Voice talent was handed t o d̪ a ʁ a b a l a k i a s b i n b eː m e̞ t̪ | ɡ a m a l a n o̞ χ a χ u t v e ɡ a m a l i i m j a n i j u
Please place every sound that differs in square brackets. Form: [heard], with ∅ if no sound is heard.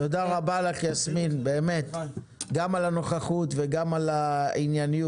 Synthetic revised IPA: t o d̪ a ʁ a b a l a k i a s [m] i n b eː m e̞ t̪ | ɡ a m a l a n o̞ χ a χ u t v e ɡ a m a l [a] i [n] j a n i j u